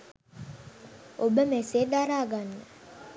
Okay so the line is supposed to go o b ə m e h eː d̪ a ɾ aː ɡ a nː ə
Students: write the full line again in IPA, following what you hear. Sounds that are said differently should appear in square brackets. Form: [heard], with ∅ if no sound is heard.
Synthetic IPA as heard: o b ə m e [s] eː d̪ a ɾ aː ɡ a nː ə

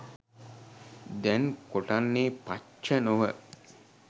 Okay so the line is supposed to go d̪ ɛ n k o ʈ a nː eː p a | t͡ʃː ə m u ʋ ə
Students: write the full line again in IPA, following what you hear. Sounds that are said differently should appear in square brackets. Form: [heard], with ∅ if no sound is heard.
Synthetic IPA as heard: d̪ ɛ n k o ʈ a nː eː p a | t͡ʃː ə [n] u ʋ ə

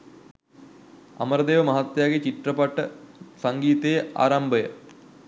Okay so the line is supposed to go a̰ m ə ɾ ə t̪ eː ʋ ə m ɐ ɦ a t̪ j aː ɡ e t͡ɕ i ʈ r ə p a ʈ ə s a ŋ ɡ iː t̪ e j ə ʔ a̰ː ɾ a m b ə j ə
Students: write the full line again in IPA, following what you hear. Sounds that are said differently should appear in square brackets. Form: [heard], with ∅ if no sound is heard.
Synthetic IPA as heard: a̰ m ə ɾ ə [d̪] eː ʋ ə m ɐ ɦ a t̪ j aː ɡ e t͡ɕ i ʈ r ə p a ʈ ə s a ŋ ɡ iː t̪ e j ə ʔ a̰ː ɾ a m b ə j ə

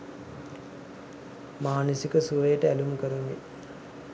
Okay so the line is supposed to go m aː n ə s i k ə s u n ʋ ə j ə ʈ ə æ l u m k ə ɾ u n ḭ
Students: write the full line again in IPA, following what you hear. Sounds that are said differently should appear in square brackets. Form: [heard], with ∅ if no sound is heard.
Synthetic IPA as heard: m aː n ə s i k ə s u [∅] ʋ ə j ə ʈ ə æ l u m k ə ɾ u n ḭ

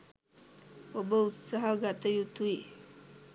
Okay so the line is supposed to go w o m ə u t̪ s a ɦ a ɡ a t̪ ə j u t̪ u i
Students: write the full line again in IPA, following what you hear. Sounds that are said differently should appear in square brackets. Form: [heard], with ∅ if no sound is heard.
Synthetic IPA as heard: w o [b] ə u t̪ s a ɦ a ɡ a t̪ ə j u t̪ u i

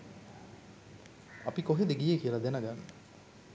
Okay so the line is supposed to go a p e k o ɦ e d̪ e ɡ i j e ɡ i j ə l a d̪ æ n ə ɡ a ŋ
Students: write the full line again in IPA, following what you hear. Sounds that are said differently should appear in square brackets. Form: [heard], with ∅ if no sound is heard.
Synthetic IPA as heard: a p [i] k o ɦ e d̪ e ɡ i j e [k] i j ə l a d̪ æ n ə ɡ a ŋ

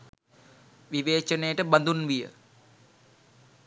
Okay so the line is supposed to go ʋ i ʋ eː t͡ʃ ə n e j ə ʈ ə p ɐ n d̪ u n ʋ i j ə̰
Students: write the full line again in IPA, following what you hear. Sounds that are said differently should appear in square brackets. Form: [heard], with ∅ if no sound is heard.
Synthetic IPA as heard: ʋ i ʋ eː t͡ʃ ə n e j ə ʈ ə [b] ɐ n d̪ u n ʋ i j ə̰

